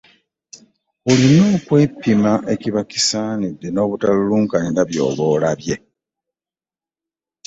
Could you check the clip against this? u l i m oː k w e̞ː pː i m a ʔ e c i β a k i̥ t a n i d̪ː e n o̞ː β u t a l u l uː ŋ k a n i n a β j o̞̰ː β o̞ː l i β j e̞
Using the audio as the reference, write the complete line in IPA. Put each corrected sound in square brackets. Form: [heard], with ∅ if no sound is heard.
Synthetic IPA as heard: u l i [n] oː k w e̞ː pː i m a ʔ e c i β a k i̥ [s] a n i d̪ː e n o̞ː β u t a l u l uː ŋ k a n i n a β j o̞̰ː β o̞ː l [a] β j e̞

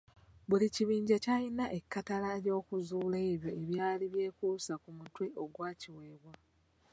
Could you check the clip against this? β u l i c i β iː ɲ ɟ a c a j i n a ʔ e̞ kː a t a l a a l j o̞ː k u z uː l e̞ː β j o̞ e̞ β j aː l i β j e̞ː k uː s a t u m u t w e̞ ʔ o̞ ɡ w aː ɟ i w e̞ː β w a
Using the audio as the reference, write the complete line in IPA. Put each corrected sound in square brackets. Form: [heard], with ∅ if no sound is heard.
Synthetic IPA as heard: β u l i c i β iː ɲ ɟ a c a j i n a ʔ e̞ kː a t a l a [e] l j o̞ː k u z uː l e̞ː β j o̞ e̞ β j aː l i β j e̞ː k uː s a [k] u m u t w e̞ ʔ o̞ ɡ w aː [c] i w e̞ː β w a

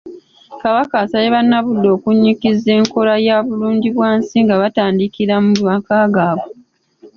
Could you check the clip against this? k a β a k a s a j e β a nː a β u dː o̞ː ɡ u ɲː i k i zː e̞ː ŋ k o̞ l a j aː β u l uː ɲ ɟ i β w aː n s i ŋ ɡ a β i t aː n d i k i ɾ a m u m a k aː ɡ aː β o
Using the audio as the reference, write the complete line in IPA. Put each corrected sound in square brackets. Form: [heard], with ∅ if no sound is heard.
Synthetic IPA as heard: k a β a k a s a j e β a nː a β u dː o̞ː [k] u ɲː i k i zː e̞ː ŋ k o̞ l a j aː β u l uː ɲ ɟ i β w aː n s i ŋ ɡ a β [a] t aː n d i k i ɾ a m u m a k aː ɡ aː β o

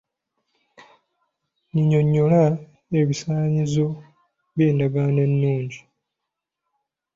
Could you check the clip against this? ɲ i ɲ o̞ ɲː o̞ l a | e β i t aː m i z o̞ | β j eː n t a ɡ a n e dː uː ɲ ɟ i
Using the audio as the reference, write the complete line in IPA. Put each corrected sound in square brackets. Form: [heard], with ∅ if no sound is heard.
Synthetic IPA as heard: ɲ i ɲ o̞ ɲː o̞ l a | e β i [s] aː [ɲ] i z o̞ | β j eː n [d] a ɡ a n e [nː] uː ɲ ɟ i

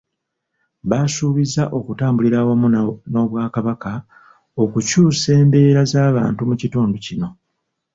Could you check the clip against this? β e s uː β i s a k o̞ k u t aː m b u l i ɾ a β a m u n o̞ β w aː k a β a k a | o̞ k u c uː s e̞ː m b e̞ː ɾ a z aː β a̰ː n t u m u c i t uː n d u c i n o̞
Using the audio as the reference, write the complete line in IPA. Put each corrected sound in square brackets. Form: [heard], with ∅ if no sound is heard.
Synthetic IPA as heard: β [a] s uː β i [z] a [ʔ] o̞ k u t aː m b u l i ɾ a [w] a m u n o̞ β w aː k a β a k a | o̞ k u c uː s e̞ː m b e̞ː ɾ a z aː β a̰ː n t u m u c i t uː n d u c i n o̞

